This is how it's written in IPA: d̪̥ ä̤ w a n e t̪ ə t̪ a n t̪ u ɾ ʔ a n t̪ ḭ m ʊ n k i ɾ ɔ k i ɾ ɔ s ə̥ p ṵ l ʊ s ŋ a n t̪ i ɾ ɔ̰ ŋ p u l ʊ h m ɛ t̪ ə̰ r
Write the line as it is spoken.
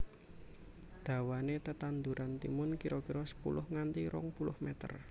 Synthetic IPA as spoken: d̪̥ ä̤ w a n e t̪ ə t̪ a n d̪ u ɾ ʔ a n t̪ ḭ m ʊ n k i ɾ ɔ k i ɾ ɔ s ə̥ p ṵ l ʊ h ŋ a n t̪ i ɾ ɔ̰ ŋ p u l ʊ h m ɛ t̪ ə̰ r